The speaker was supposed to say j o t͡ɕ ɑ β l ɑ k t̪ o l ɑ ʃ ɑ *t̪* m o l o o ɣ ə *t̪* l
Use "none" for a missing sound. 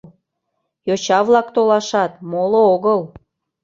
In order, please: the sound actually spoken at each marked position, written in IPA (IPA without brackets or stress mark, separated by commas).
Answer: t̪, none